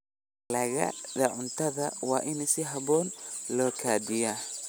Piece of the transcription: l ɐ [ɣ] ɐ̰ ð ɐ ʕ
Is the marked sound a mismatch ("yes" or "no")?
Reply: no